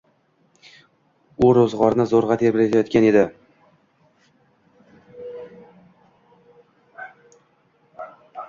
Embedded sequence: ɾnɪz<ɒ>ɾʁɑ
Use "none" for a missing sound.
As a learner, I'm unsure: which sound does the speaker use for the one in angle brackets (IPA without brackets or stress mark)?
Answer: o